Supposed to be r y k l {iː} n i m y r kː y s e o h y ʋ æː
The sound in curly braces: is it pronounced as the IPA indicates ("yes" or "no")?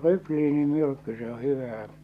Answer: yes